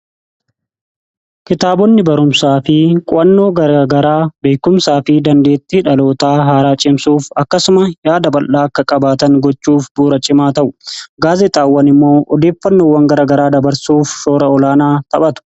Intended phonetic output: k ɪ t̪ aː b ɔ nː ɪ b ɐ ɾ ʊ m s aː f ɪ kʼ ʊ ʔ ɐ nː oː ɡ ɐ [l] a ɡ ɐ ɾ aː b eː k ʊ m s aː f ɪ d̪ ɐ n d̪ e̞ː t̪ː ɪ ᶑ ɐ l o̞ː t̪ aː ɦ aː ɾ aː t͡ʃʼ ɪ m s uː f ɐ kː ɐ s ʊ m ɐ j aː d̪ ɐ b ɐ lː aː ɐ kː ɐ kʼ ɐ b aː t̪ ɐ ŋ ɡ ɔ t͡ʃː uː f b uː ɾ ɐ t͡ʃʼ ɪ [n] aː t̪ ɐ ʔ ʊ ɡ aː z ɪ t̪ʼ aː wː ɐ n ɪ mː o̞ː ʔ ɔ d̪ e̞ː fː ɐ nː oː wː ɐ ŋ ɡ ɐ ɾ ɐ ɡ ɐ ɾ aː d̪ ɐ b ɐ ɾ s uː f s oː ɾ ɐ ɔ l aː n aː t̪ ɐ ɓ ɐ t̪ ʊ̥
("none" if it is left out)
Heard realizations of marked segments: ɾ, m

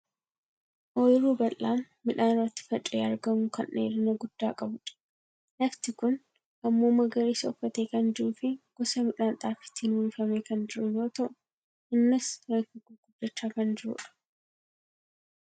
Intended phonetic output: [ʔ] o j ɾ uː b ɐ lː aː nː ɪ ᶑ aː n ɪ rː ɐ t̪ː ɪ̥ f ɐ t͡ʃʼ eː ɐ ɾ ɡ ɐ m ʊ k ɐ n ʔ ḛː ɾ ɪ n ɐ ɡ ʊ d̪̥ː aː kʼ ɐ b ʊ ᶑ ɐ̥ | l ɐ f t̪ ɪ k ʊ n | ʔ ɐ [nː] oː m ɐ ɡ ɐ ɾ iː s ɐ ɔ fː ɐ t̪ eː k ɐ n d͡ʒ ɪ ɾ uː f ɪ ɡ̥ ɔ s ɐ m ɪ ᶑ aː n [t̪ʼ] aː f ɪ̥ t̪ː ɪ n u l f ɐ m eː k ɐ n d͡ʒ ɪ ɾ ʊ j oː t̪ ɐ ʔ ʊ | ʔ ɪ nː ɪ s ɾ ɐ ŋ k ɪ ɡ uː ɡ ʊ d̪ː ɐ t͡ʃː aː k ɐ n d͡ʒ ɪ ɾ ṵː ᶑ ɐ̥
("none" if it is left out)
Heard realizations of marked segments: ʔ, mː, t̪ʼ

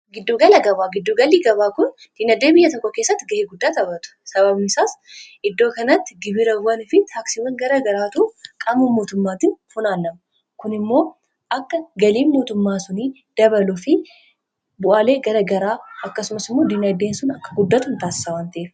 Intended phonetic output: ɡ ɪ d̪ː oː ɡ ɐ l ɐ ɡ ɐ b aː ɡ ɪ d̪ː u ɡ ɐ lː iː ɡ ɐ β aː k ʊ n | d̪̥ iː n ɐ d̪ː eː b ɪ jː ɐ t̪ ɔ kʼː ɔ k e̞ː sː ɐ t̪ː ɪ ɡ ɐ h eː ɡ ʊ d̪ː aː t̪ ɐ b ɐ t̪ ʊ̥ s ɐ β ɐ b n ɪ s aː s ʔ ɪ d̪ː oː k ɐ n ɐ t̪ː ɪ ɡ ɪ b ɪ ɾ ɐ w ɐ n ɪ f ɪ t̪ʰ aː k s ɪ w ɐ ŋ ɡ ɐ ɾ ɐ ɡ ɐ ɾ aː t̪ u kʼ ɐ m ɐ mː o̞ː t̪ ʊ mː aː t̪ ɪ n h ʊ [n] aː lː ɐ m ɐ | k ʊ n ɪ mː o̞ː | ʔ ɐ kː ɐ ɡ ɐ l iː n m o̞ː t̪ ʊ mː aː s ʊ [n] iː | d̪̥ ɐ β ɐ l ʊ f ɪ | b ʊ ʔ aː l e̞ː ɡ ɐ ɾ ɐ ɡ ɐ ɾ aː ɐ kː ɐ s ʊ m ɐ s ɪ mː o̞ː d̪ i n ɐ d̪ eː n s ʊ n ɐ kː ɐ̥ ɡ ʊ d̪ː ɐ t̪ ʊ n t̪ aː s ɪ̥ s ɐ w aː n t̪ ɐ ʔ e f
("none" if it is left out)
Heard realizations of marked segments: n, n

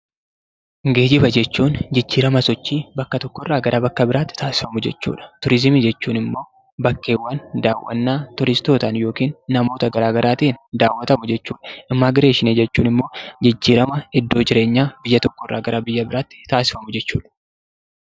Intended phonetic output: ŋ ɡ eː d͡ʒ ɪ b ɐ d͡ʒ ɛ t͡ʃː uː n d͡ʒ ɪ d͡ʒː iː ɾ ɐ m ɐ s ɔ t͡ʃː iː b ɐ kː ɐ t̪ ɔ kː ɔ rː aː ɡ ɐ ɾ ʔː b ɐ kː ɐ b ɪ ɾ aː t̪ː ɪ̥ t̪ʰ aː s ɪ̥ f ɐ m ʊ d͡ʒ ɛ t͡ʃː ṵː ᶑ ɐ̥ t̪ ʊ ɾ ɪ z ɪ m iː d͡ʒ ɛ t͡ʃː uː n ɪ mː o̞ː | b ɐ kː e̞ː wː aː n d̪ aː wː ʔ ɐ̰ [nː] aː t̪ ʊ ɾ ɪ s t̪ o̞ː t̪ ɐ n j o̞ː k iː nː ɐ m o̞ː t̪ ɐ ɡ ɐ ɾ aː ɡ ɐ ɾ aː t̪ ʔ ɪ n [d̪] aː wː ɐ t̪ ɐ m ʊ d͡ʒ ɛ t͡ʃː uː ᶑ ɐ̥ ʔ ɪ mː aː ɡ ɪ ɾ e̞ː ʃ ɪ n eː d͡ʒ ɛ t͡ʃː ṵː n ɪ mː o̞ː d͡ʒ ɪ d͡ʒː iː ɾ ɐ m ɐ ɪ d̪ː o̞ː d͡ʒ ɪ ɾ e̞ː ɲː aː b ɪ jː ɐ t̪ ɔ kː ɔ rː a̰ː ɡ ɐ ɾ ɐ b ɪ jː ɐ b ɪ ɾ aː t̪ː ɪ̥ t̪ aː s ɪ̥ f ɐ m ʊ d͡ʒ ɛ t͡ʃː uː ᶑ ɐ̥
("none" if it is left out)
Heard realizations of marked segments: nː, d̪

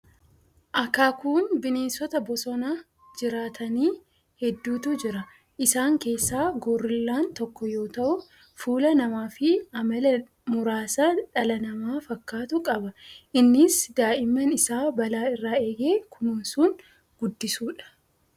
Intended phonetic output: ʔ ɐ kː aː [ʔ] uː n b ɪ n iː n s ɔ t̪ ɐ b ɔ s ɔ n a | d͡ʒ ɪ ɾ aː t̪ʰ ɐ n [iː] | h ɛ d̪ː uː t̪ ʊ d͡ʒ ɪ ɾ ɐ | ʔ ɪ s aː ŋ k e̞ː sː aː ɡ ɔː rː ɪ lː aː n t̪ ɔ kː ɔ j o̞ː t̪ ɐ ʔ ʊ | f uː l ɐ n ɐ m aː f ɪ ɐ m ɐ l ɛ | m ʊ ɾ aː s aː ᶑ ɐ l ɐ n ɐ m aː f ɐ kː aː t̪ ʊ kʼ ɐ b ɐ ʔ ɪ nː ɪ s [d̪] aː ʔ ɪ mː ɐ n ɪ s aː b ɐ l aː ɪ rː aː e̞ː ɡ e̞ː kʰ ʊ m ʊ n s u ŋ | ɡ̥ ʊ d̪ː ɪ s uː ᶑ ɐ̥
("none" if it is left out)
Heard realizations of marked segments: k, iː, d̪

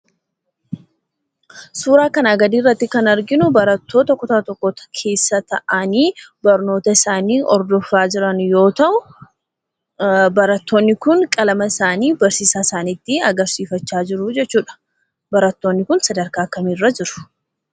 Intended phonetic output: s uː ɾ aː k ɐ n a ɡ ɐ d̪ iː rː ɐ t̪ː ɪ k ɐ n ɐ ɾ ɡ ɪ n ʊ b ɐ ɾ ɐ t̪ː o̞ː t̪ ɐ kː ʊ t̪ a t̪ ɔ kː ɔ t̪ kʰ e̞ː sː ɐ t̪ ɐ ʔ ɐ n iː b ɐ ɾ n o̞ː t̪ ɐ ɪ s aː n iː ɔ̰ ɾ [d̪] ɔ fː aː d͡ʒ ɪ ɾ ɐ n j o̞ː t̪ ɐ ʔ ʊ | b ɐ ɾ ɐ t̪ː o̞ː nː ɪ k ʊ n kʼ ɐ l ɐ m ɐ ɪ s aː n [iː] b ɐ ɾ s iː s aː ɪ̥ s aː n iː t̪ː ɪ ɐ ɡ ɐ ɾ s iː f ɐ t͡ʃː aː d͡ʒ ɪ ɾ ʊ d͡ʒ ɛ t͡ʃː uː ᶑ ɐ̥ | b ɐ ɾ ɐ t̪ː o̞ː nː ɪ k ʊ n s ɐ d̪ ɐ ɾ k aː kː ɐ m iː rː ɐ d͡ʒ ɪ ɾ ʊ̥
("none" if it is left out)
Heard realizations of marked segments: d̪, iː

